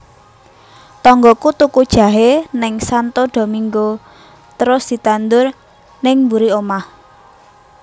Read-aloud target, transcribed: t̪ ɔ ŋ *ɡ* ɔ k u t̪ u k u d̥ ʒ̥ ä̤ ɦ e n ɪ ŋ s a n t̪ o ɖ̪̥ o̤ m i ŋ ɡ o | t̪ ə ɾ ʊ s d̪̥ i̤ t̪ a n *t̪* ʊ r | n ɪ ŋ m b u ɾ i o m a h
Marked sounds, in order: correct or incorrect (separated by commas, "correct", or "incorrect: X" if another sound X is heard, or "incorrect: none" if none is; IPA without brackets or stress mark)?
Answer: correct, incorrect: d̪